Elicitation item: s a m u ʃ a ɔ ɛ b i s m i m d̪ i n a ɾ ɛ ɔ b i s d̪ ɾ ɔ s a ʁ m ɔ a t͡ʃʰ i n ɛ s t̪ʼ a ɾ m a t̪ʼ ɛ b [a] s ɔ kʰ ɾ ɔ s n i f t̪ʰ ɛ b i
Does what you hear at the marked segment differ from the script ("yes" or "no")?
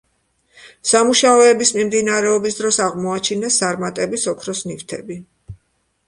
yes